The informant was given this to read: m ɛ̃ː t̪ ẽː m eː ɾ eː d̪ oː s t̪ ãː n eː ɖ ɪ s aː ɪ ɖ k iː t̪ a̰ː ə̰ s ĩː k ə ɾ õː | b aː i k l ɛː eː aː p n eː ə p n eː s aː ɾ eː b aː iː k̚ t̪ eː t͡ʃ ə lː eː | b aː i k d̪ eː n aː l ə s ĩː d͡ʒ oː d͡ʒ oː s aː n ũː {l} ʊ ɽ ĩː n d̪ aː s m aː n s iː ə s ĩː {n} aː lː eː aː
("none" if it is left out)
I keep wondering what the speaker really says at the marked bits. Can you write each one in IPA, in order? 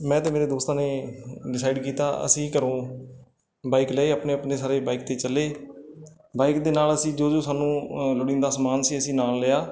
l, n

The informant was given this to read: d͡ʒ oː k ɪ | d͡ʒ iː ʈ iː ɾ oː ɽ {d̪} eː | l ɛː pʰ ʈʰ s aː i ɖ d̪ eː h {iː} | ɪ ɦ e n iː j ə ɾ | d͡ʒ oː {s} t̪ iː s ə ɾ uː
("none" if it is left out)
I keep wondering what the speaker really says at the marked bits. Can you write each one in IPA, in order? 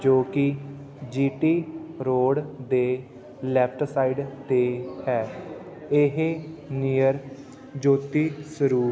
d̪, ɛː, none

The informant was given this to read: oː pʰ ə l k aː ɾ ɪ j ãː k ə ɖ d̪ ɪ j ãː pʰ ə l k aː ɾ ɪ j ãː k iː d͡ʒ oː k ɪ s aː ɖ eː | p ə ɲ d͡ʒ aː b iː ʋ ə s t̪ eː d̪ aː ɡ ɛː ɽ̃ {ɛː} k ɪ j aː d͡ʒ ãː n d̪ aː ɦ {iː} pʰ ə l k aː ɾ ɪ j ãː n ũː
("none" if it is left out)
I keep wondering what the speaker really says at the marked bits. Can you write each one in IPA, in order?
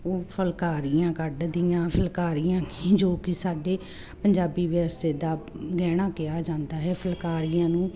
aː, ɛː

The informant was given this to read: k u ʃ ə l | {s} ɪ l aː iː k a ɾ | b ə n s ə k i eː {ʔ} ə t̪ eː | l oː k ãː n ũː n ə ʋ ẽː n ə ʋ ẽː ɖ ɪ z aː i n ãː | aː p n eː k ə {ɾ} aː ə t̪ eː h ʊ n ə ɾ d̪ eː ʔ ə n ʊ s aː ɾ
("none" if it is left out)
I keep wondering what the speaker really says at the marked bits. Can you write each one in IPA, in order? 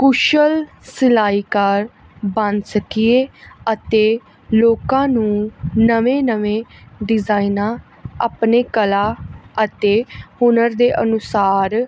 s, none, l

